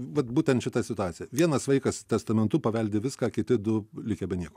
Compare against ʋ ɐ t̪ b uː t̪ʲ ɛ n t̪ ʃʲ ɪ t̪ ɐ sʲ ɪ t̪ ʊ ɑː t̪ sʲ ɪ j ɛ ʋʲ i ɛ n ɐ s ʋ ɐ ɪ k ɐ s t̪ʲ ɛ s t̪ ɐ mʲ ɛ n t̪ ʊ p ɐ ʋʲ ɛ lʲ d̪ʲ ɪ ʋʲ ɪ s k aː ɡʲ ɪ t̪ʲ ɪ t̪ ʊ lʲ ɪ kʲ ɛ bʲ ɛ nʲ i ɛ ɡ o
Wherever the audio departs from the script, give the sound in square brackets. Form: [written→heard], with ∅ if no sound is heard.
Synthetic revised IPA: ʋ ɐ t̪ b uː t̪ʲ ɛ n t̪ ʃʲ ɪ t̪ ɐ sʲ ɪ t̪ ʊ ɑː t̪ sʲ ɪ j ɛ ʋʲ i ɛ n ɐ s ʋ ɐ ɪ k ɐ s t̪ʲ ɛ s t̪ ɐ mʲ ɛ n t̪ ʊ p ɐ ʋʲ ɛ lʲ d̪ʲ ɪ ʋʲ ɪ s k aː [ɡʲ→kʲ] ɪ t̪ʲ ɪ [t̪→d̪] ʊ lʲ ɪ kʲ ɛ bʲ ɛ nʲ i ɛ [ɡ→k] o